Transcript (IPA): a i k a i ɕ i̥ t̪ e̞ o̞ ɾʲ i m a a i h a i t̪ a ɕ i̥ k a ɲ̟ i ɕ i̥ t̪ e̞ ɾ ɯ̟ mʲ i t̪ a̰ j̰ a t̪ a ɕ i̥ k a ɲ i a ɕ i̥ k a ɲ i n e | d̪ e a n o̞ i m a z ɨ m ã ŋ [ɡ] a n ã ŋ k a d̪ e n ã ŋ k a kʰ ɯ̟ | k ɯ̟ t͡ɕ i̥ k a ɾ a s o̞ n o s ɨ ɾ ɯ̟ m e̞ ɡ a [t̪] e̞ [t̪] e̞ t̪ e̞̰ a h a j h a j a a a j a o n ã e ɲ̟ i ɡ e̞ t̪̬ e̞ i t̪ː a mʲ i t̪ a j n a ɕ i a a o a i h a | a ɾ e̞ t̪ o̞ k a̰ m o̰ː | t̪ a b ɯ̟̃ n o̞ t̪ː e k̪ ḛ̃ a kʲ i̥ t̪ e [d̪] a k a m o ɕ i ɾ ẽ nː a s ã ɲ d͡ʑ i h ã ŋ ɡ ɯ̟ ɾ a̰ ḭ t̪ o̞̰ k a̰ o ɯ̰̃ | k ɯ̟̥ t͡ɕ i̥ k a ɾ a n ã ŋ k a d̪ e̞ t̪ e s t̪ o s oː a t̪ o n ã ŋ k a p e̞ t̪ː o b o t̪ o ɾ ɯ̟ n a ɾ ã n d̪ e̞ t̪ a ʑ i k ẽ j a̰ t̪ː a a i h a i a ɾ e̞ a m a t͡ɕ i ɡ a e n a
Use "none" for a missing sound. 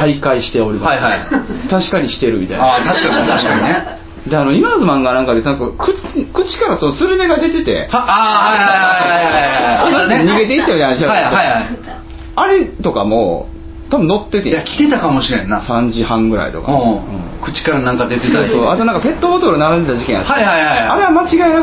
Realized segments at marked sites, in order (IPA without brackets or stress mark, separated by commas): ɡ, d̪, t̪, t̪